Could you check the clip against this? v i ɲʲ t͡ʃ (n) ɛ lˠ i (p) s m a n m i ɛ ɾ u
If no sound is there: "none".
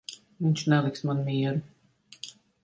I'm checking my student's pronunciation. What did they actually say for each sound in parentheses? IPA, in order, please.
n, k

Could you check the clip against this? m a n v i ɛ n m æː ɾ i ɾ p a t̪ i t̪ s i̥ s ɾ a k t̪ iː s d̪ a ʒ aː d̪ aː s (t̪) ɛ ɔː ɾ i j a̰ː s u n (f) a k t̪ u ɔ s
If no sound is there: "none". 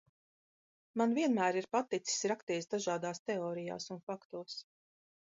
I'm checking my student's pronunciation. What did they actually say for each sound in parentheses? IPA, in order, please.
t̪, f

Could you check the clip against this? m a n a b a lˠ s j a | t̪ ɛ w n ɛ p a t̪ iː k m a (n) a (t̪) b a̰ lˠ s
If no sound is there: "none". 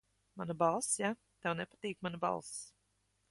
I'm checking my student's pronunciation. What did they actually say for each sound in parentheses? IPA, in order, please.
n, none

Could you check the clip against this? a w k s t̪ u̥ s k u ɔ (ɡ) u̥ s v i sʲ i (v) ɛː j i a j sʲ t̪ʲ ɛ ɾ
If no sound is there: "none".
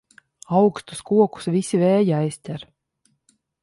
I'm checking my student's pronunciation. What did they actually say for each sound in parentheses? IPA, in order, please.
k, v

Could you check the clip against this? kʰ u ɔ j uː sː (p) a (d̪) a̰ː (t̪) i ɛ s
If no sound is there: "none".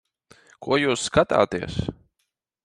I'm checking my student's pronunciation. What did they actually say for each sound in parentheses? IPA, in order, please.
k, t̪, t̪

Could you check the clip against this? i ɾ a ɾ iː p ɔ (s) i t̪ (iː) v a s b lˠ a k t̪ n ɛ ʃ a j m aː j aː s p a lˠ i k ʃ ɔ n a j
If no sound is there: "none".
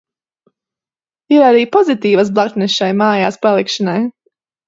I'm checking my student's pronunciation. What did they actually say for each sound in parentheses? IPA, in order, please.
z, iː

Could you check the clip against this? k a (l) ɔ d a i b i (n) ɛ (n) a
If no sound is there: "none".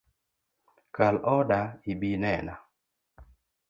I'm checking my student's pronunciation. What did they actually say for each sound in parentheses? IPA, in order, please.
l, n, n

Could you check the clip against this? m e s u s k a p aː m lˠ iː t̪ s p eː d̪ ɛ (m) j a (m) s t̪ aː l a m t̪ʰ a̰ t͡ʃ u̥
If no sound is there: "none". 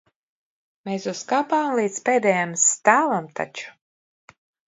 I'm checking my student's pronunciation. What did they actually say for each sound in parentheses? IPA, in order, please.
none, m

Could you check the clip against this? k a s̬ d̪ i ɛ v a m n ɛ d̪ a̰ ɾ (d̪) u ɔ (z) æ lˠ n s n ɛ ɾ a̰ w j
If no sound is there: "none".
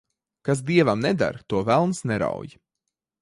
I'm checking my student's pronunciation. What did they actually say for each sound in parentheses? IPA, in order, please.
t̪, v

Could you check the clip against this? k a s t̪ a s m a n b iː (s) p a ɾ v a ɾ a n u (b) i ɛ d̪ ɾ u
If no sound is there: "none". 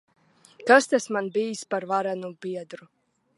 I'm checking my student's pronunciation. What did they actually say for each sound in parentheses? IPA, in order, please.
s, b

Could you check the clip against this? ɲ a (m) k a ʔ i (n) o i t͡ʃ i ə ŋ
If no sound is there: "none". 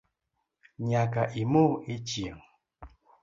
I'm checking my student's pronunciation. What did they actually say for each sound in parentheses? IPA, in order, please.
none, m

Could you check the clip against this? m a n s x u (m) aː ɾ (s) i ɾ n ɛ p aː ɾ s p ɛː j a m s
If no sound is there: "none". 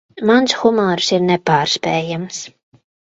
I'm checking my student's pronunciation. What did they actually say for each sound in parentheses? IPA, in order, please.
m, s

